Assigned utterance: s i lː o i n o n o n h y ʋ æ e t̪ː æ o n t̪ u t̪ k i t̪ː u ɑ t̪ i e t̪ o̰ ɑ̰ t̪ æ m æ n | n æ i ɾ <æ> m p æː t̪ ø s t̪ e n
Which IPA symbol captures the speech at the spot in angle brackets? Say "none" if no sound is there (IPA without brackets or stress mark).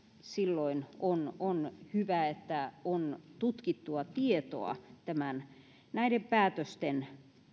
e